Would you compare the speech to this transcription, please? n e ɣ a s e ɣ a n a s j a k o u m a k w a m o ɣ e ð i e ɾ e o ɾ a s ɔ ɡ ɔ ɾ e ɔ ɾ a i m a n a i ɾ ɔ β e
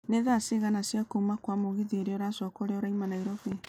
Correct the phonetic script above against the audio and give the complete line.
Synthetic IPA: n e ð a s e ɣ a n a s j a k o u m a k w a m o ɣ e ð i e ɾ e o ɾ a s ɔ k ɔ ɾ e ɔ ɾ a i m a n a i ɾ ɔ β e